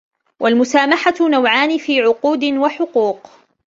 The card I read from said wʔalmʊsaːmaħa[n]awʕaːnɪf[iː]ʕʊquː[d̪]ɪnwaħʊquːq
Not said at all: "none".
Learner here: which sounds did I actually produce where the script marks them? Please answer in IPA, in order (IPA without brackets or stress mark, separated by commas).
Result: n, iː, d̪